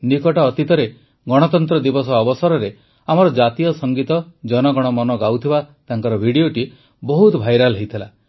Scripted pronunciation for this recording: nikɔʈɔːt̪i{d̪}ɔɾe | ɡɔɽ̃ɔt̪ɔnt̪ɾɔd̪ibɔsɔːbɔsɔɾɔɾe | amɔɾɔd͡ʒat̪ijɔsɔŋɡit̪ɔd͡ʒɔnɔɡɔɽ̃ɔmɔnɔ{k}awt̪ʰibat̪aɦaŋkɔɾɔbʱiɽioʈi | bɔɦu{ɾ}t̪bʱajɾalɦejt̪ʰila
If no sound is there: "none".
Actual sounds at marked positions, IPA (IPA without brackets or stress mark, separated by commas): t̪, ɡ, none